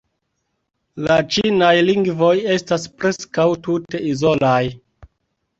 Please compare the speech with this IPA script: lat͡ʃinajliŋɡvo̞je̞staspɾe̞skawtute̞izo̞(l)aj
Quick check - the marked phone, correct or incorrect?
correct